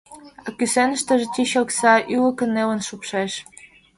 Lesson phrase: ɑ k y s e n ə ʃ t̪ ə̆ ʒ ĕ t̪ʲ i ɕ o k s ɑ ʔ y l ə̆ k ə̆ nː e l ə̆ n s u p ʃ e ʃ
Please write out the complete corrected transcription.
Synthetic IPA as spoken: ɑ k y s e n ə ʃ t̪ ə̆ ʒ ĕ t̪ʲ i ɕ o k s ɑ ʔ y l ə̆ k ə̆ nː e l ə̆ n ʃ u p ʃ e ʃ